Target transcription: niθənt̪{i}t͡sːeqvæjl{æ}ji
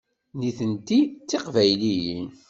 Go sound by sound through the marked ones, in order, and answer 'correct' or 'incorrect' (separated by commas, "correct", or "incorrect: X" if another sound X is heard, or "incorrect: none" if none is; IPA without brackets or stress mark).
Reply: correct, incorrect: i